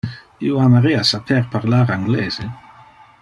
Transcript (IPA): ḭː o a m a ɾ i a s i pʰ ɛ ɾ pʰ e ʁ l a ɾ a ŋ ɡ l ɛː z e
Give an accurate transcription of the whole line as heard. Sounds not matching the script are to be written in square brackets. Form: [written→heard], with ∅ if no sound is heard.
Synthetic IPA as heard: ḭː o a m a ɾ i a s [i→a] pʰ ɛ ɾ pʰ [e→a] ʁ l a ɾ a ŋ ɡ l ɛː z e